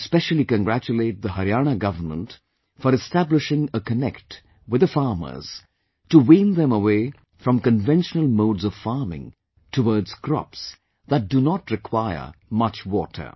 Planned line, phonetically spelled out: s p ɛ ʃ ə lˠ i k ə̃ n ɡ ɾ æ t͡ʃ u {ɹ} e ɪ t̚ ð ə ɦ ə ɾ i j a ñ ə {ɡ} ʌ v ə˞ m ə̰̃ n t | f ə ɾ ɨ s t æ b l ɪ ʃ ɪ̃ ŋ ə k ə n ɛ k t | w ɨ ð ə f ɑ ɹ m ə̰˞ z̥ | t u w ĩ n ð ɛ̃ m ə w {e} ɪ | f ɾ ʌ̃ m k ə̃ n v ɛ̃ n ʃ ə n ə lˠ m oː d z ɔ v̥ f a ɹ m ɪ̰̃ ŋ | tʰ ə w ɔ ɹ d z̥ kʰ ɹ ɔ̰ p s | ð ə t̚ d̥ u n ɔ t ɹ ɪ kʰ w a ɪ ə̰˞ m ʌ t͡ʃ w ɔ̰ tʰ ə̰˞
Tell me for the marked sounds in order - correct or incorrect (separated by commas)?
incorrect, correct, correct